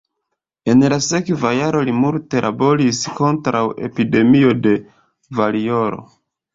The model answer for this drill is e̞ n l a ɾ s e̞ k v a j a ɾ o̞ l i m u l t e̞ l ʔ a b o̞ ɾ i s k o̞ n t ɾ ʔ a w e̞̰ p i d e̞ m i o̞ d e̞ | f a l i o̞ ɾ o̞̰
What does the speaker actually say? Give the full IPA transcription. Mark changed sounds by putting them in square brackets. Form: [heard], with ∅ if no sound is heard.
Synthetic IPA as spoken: e̞ n l a [∅] s e̞ k v a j a ɾ o̞ l i m u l t e̞ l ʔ a b o̞ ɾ i s k o̞ n t ɾ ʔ a w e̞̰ p i d e̞ m i o̞ d e̞ | [v] a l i o̞ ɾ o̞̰